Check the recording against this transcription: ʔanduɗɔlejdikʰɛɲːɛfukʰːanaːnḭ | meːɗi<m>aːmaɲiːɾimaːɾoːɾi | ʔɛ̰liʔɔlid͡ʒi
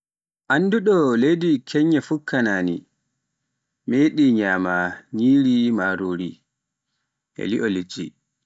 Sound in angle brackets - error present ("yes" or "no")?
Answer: yes